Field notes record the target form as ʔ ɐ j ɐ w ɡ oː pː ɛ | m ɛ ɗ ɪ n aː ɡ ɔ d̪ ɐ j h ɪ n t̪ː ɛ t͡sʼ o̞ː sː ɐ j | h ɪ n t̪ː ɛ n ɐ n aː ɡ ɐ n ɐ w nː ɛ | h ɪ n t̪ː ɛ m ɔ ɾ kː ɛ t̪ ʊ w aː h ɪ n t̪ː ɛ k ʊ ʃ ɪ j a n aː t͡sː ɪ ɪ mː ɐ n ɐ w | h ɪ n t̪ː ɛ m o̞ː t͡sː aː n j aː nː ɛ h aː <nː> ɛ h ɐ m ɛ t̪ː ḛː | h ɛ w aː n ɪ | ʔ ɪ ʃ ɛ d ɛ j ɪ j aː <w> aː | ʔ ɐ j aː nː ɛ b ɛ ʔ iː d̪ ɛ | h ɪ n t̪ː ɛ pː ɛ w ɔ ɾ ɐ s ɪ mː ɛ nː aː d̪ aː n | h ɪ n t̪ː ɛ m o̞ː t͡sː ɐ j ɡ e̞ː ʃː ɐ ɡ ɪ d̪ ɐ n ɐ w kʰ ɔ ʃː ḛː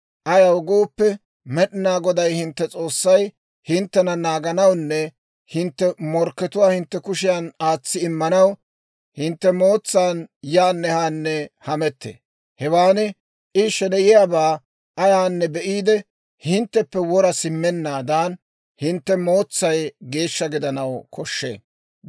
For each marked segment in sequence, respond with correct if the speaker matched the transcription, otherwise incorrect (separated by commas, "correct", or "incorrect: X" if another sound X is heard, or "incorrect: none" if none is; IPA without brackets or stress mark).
correct, incorrect: b